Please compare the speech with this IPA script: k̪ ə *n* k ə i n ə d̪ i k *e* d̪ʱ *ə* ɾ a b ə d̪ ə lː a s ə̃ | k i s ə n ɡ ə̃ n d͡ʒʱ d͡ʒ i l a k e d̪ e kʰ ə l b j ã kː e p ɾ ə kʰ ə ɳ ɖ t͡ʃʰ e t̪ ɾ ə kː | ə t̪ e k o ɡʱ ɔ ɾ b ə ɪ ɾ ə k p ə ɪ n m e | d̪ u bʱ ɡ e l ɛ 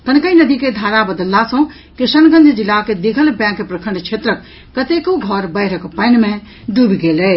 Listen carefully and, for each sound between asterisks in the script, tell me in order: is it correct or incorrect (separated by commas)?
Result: correct, correct, incorrect